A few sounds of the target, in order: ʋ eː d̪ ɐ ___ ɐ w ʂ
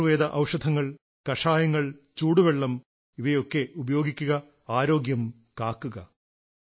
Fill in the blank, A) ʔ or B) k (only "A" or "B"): A